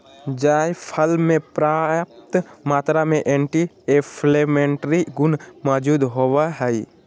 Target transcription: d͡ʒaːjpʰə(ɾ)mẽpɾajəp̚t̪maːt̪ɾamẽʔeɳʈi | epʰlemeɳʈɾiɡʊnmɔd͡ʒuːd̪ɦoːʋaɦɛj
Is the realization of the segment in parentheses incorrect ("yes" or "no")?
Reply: yes